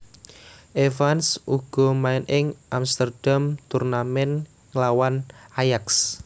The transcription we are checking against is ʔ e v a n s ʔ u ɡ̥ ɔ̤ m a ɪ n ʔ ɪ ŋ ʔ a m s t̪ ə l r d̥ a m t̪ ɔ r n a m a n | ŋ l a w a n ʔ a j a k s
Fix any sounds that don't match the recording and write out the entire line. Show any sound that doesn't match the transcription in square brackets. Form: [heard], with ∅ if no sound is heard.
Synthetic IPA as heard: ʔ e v a n s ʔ u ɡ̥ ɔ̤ m a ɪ n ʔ ɪ ŋ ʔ a m s t̪ ə [∅] r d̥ a m t̪ [u] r n a m [ɛ] n | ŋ l a w a n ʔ a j a k s